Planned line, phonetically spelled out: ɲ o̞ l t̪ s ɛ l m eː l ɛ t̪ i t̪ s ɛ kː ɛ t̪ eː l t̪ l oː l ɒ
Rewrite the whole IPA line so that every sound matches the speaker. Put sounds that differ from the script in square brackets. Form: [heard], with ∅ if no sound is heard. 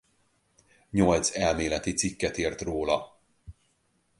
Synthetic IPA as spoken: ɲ o̞ l t̪ s ɛ l m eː l ɛ t̪ i t̪ s [i] kː ɛ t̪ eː [r] t̪ [r] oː l ɒ